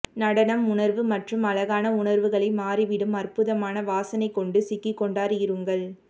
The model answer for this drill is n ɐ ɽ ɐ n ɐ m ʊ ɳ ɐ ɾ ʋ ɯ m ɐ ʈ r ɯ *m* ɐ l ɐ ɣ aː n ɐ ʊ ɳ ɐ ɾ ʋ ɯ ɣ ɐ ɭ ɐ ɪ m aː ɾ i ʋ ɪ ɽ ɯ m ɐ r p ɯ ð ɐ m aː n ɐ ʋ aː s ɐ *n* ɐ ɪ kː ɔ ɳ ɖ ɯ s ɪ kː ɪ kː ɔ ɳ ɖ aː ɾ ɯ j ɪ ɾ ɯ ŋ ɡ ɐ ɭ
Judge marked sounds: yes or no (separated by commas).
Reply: yes, yes